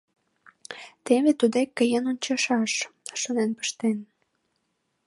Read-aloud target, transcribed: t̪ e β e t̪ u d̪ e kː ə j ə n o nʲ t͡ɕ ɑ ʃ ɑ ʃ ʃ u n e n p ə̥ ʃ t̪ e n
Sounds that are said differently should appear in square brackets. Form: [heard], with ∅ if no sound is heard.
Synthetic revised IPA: t̪ e β e t̪ u d̪ e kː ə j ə n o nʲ t͡ɕ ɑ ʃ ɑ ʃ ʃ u n e n p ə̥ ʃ t̪ e n